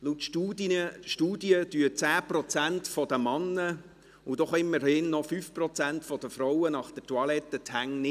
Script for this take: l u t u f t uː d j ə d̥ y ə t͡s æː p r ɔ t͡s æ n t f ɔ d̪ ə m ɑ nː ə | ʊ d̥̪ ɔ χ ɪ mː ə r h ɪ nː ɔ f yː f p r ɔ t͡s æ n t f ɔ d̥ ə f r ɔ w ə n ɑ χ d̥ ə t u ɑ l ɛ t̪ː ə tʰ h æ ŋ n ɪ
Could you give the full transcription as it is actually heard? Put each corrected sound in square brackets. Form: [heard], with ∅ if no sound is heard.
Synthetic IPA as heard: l u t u [ʃ] t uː d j ə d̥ y ə t͡s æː p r ɔ t͡s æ n t f ɔ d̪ ə m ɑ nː ə | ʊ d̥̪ ɔ χ ɪ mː ə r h ɪ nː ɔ f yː f p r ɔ t͡s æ n t f ɔ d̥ ə f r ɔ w ə n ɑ χ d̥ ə t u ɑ l ɛ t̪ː ə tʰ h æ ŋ n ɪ